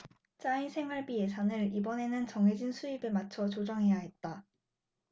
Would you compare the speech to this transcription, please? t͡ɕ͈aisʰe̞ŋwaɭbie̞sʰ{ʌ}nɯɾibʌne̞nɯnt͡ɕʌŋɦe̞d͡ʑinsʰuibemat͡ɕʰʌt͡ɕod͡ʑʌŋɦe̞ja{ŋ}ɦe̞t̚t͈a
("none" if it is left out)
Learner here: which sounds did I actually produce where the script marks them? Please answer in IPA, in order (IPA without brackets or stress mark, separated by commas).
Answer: a, none